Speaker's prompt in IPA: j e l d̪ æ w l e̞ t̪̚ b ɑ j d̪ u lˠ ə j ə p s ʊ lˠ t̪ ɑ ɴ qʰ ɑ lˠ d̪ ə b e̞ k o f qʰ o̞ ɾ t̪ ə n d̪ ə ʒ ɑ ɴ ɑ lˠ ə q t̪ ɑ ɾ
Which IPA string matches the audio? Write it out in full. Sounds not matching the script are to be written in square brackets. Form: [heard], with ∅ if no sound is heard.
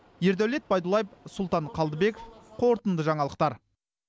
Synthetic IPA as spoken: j e [ɾ] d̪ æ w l e̞ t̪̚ b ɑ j d̪ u lˠ [ɑ] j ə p s ʊ lˠ t̪ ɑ ɴ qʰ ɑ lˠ d̪ ə b e̞ k o f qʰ o̞ ɾ t̪ ə n d̪ ə ʒ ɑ ɴ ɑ lˠ ə q t̪ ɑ ɾ